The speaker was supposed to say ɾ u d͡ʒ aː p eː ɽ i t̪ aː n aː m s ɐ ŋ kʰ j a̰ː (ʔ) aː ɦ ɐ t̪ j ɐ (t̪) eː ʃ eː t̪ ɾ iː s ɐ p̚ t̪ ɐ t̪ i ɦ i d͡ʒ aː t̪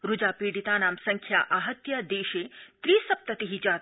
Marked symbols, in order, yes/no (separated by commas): yes, no